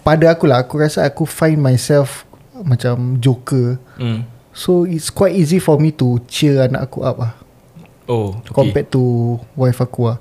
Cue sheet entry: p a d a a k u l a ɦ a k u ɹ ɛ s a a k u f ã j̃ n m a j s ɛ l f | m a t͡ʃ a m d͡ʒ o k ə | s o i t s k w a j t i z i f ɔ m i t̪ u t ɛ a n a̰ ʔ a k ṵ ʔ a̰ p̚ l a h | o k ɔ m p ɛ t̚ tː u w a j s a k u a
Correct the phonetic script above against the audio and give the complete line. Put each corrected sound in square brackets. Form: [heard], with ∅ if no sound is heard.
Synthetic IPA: p a d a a k u l a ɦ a k u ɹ [a] s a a k u f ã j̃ n m a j s ɛ l f | m a t͡ʃ a m d͡ʒ o k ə | s o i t s k w a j t i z i f ɔ m i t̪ u [t͡ʃ] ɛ a n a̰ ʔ a k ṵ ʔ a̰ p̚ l a h | o k ɔ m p ɛ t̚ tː u w a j [f] a k u a